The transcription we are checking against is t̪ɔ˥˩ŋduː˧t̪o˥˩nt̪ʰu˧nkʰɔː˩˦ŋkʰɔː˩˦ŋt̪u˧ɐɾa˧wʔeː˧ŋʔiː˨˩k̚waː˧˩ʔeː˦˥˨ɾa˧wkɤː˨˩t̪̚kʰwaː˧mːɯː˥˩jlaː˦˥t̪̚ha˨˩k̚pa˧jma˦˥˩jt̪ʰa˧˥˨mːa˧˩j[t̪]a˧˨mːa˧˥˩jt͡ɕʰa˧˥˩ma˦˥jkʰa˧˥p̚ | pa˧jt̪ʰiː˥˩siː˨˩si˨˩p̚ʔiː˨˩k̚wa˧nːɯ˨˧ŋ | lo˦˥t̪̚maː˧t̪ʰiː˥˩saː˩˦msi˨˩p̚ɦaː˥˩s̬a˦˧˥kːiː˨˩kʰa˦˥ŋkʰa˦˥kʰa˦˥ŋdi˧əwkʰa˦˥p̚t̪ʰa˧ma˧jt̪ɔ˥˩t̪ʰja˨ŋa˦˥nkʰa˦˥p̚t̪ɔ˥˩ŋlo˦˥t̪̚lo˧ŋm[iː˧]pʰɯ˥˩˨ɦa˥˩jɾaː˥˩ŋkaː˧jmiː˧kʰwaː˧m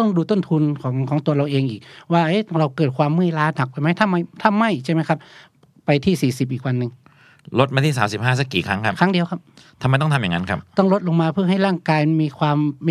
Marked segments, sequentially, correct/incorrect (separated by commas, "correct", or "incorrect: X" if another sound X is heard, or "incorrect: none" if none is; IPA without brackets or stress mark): incorrect: t̪ʰ, incorrect: aː˧